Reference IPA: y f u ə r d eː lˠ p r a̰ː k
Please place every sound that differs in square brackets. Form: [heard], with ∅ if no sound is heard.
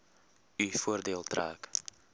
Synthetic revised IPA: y f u ə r d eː lˠ [t] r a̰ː k